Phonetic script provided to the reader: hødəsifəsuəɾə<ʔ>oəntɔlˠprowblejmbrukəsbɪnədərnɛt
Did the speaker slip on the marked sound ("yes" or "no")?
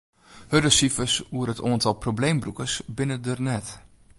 yes